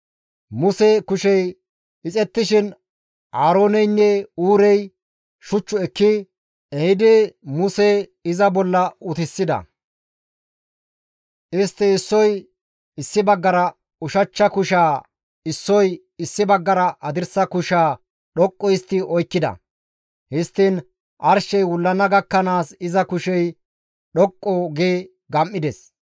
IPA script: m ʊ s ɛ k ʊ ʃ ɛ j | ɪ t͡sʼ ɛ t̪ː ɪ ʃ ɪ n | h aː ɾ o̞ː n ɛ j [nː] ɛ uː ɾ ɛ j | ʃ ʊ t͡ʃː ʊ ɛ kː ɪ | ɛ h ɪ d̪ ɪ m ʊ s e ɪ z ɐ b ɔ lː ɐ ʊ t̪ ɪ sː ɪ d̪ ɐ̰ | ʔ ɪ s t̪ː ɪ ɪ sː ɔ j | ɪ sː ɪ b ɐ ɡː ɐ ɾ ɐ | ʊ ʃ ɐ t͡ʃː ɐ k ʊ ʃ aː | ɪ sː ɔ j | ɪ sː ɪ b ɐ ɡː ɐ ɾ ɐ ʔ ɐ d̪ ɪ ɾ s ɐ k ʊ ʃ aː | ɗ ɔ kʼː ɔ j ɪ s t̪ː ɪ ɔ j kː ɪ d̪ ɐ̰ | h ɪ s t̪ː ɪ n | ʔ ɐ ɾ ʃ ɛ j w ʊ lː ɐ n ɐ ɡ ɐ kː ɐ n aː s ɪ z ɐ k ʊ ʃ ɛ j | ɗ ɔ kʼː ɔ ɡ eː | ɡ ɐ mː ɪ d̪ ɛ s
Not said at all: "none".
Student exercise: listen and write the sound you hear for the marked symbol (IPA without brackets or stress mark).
nː